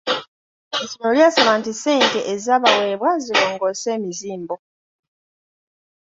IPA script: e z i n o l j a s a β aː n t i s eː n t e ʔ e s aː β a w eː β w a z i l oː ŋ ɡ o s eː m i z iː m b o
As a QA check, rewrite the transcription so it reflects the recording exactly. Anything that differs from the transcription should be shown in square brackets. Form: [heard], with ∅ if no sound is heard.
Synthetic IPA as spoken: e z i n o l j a s a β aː n t i s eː n t e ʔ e [z] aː β a w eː β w a z i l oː ŋ ɡ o s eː m i z iː m b o